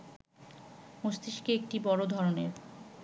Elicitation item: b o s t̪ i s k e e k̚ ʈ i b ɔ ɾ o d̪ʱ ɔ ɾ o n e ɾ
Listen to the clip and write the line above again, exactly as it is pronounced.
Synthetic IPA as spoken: m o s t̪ i ʃ k e e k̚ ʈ i b ɔ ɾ o d̪ʱ ɔ ɾ o n e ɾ